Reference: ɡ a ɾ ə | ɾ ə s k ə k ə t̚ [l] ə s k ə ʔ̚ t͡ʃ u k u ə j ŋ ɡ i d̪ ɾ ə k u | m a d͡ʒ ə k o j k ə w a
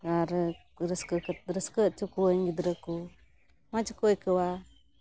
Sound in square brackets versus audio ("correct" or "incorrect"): incorrect